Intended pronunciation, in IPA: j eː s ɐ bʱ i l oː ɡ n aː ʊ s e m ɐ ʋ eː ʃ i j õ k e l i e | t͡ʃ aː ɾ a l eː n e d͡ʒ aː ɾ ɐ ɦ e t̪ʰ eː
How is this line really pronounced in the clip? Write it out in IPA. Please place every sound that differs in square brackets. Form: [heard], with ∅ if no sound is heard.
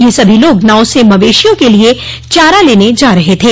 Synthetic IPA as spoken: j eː s ɐ bʱ i l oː ɡ n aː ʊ s e m ɐ ʋ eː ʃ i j õ k e l i e | t͡ʃ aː ɾ a l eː n e d͡ʒ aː ɾ ɐ ɦ e t̪ʰ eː